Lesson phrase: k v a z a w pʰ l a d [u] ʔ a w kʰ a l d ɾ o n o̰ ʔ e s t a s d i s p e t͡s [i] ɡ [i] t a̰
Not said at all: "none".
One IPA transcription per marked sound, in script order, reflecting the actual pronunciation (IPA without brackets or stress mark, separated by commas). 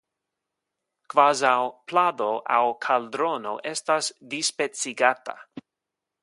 o, i, a